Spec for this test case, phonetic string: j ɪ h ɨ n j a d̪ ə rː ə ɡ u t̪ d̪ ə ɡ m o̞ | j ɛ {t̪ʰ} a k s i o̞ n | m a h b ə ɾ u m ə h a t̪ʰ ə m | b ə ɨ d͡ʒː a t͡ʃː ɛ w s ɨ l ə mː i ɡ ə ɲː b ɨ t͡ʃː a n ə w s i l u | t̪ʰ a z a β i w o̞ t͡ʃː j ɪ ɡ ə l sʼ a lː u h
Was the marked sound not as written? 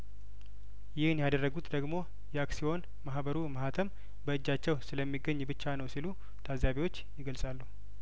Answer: yes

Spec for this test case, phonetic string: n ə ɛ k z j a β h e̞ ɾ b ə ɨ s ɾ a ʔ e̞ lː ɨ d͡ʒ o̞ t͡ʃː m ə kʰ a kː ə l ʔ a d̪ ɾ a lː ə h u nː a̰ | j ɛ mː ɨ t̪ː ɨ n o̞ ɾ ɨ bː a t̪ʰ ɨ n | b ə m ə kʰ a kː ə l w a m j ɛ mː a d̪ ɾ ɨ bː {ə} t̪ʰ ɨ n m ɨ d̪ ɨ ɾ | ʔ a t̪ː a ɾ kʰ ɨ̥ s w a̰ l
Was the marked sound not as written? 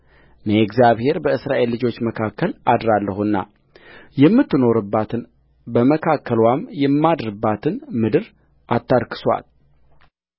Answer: yes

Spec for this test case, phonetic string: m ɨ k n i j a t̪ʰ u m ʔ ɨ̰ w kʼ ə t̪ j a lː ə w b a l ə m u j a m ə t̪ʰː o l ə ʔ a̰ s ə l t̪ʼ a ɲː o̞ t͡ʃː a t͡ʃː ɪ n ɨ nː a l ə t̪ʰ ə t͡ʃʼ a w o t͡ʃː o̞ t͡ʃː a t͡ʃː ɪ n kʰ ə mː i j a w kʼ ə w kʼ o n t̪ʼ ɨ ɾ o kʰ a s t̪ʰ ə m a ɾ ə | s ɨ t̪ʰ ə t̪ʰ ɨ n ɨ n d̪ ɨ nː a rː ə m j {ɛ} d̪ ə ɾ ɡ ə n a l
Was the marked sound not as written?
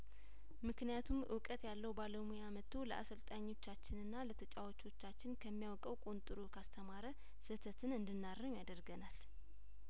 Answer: yes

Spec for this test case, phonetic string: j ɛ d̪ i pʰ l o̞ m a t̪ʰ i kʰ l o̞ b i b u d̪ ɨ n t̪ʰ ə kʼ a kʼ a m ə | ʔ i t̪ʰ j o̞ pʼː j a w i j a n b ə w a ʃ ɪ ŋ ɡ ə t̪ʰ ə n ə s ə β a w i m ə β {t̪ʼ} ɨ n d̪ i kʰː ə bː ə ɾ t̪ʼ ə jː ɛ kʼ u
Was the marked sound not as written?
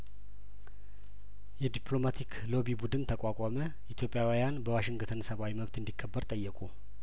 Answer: yes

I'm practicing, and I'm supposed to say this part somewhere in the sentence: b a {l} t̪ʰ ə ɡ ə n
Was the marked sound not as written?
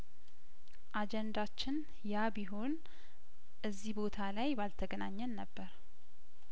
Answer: no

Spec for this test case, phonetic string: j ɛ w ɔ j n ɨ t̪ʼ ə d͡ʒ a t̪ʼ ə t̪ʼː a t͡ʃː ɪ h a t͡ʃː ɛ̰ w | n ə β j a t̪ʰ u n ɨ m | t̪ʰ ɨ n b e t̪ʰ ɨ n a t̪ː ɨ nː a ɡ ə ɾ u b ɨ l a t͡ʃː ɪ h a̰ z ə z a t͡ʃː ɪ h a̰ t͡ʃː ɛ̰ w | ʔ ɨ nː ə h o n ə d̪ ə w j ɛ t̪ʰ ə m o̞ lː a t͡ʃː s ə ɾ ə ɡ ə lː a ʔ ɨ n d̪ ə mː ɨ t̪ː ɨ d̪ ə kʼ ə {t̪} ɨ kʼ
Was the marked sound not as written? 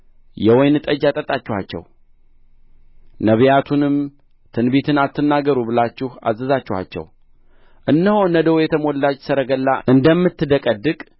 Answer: yes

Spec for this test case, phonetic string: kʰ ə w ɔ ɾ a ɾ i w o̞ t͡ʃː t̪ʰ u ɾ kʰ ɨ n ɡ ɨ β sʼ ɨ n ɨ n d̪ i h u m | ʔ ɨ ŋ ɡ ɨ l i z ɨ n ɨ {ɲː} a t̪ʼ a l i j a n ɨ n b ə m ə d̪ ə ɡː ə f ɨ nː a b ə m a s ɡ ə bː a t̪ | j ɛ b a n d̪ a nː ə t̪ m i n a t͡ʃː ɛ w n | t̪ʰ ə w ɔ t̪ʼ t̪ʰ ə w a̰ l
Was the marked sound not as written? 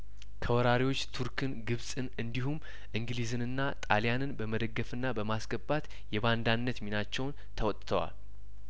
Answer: yes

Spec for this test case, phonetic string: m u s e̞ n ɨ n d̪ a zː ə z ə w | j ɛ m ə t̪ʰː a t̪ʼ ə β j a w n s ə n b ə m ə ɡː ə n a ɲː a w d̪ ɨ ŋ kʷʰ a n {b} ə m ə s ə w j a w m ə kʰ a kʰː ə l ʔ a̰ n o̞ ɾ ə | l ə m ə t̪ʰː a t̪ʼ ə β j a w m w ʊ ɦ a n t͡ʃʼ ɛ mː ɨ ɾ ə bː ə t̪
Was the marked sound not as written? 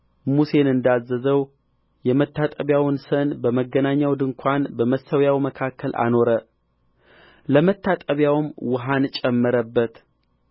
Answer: no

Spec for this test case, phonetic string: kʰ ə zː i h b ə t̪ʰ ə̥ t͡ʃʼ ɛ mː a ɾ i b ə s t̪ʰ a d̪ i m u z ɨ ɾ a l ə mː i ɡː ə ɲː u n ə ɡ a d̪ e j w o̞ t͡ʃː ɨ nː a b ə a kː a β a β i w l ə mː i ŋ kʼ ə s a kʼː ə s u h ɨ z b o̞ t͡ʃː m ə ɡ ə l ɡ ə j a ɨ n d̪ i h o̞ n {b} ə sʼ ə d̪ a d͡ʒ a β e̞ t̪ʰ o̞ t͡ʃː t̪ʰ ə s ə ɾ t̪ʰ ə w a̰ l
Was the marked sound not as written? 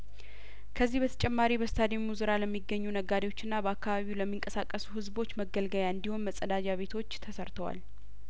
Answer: yes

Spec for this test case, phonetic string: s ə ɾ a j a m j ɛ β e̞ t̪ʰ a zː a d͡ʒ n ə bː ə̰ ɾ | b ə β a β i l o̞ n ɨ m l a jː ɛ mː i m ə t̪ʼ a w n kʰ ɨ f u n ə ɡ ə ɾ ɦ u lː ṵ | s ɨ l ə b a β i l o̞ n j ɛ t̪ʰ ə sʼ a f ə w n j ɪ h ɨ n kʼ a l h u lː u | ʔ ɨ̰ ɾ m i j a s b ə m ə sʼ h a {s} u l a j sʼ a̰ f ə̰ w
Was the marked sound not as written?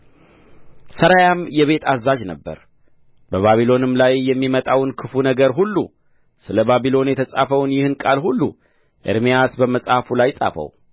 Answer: yes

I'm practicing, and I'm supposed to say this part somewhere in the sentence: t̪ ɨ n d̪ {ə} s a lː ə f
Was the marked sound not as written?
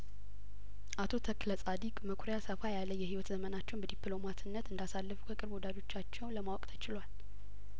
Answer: yes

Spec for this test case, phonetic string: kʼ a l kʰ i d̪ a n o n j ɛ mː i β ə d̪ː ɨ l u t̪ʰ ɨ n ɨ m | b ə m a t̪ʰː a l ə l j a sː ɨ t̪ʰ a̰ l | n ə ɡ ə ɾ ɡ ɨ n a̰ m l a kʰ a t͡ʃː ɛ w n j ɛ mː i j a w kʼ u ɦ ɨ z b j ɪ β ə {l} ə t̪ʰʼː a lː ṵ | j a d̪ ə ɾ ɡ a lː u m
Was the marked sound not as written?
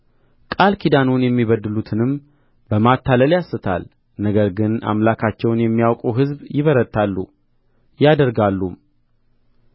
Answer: yes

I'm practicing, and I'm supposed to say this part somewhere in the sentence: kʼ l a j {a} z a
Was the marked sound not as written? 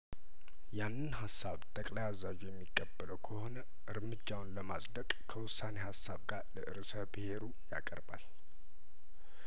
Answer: no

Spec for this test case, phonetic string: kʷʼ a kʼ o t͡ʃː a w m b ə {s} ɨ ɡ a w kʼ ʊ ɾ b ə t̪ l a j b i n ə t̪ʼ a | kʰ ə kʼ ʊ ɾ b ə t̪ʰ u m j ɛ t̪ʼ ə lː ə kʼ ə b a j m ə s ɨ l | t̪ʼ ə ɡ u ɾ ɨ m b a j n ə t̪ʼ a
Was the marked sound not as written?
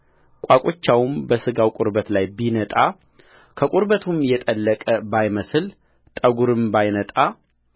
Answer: no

